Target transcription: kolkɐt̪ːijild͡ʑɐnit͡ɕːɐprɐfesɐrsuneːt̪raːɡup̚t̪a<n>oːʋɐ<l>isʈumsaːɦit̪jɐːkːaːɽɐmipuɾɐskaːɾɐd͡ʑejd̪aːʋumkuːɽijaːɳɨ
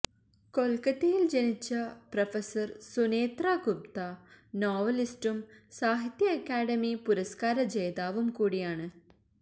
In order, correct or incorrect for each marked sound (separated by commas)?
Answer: correct, correct